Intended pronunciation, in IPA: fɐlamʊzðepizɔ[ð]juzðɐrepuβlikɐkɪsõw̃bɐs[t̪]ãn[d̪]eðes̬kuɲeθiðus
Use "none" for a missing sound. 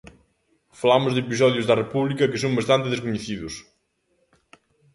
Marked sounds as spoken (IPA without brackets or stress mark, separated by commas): ð, t̪, t̪